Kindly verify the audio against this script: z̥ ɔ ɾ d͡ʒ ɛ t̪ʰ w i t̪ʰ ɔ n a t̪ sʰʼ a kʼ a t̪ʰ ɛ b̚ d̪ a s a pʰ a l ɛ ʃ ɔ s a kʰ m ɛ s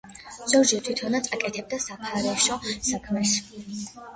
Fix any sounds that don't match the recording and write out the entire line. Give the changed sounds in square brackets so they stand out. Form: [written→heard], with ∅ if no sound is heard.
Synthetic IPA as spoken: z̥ ɔ ɾ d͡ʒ ɛ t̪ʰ w i t̪ʰ ɔ n a t̪ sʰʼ a kʼ [a→ɛ] t̪ʰ ɛ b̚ d̪ a s a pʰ a [l→ɾ] ɛ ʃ ɔ s a kʰ m ɛ s